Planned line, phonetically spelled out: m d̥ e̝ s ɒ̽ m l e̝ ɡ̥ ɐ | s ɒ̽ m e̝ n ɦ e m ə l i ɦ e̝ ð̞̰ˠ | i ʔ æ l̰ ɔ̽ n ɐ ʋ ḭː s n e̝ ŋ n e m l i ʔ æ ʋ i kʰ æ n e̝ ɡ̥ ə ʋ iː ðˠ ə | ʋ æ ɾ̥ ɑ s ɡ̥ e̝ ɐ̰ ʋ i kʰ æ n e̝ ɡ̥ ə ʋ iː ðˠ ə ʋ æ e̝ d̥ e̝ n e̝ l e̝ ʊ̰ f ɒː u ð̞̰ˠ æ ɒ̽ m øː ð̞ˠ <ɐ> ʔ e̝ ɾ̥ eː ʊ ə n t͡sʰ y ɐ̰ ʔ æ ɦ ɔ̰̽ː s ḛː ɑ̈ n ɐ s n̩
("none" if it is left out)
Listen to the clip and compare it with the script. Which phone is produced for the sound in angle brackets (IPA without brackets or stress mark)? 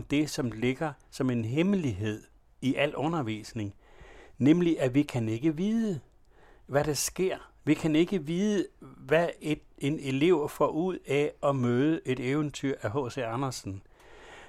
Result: ə